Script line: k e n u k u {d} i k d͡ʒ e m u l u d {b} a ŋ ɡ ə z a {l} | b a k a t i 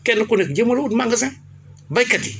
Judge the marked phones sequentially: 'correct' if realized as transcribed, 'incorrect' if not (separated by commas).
incorrect, incorrect, incorrect